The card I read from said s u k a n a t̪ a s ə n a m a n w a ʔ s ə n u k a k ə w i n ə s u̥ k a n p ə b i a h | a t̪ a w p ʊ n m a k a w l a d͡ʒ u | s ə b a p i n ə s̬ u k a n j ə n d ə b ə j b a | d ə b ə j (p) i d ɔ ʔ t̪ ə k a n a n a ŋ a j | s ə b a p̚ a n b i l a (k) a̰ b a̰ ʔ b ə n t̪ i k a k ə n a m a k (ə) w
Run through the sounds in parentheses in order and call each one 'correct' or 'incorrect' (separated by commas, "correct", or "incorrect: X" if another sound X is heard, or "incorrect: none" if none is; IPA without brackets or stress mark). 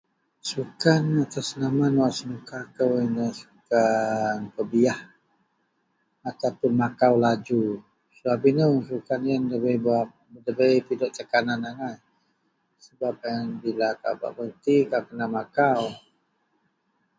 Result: correct, correct, incorrect: a